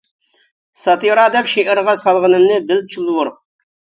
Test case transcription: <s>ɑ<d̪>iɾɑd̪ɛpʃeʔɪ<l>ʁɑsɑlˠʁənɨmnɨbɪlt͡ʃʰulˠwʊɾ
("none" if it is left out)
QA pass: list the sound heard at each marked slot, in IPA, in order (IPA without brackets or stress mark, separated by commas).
s, t̪, ɾ